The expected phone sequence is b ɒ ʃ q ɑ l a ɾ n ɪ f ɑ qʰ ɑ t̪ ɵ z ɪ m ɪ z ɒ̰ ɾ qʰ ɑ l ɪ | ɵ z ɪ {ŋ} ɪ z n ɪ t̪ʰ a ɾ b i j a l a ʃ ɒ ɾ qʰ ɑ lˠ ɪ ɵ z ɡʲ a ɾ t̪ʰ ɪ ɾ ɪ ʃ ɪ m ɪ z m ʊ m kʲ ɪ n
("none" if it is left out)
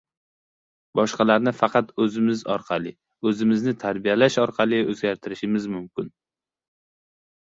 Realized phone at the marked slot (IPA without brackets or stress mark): m